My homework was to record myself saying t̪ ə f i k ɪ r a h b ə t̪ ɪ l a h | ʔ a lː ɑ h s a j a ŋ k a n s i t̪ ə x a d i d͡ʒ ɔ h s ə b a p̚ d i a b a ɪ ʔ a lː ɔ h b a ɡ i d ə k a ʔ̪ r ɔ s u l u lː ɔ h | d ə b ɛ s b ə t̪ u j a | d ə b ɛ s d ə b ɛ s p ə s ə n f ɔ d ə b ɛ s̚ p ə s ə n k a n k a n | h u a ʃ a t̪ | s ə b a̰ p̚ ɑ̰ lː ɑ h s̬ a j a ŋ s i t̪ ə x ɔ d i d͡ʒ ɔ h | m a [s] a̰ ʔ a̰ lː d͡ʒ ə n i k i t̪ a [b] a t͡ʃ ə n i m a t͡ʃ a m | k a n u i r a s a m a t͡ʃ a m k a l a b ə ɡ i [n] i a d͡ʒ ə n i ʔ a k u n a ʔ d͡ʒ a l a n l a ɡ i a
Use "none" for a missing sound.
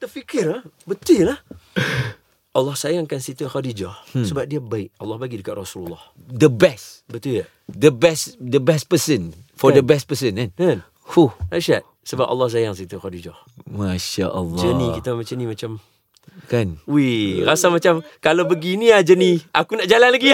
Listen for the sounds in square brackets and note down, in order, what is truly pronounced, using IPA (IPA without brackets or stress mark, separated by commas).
ʃ, m, n